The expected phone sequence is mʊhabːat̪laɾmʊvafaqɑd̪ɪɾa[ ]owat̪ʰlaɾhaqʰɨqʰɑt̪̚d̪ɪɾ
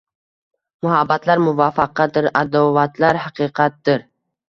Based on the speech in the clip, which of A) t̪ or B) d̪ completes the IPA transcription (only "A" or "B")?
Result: B